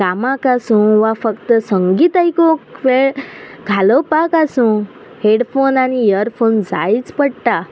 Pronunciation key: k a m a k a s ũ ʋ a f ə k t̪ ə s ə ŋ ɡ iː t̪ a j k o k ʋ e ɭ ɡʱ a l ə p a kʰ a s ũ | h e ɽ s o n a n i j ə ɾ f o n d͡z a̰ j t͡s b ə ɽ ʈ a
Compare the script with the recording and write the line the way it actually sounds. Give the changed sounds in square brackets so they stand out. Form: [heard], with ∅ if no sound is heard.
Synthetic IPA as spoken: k a m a k a s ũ ʋ a f ə k t̪ ə s ə ŋ ɡ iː t̪ a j k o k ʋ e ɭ ɡʱ a l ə p a [k] a s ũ | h e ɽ [f] o n a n i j ə ɾ f o n d͡z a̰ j t͡s [p] ə ɽ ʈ a